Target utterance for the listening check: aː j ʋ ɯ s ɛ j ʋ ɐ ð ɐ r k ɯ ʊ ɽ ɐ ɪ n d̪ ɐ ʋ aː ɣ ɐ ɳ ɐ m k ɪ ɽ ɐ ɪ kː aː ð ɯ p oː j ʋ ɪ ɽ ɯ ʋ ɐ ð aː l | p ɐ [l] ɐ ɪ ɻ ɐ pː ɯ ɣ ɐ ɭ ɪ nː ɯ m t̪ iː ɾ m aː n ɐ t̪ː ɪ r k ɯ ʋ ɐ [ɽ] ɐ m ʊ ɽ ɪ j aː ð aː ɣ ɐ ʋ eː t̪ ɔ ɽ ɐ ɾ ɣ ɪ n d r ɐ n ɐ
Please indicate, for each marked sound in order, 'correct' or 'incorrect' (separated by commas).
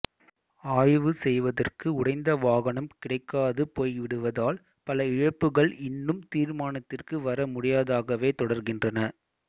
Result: correct, incorrect